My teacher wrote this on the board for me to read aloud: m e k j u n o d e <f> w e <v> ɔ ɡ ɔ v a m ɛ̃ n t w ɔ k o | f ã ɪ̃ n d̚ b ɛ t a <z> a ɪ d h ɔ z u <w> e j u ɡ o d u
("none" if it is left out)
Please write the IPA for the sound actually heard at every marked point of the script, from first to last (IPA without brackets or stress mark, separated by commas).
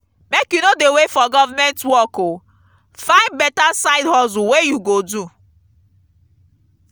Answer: none, f, s, w